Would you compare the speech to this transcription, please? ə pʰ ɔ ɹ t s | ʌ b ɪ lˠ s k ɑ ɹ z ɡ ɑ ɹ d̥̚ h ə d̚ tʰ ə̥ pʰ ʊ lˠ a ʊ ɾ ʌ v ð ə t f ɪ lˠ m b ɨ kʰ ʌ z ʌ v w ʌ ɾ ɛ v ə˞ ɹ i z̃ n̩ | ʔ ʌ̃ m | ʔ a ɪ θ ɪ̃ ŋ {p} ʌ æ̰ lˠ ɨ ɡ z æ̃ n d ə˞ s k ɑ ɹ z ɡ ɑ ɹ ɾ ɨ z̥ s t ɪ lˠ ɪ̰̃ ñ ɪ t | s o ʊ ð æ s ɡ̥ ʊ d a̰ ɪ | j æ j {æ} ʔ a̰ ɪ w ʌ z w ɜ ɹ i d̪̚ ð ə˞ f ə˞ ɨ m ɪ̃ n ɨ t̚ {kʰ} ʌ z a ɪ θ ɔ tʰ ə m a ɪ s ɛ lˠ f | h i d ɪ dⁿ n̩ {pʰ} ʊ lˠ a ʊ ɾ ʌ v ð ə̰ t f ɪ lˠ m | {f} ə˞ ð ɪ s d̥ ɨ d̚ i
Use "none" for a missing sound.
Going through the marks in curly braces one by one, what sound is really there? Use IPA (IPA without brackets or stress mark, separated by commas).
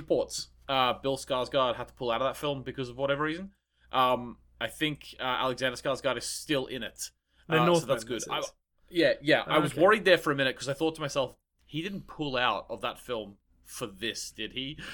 k, æ, kʰ, pʰ, f